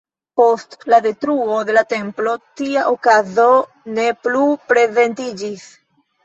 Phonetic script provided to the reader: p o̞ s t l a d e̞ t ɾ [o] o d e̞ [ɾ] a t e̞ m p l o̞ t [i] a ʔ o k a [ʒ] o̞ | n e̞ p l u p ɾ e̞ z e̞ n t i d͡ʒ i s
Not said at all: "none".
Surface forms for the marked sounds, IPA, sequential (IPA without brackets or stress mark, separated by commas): u, l, i, z